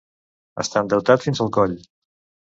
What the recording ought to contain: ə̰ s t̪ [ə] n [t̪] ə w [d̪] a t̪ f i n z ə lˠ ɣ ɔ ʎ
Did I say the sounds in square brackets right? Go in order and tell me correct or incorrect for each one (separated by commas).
incorrect, incorrect, incorrect